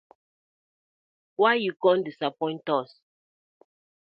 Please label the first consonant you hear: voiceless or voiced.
voiced